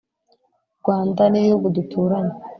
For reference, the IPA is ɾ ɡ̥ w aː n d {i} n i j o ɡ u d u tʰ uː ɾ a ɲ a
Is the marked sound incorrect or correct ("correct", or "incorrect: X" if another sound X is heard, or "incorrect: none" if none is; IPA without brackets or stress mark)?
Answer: incorrect: a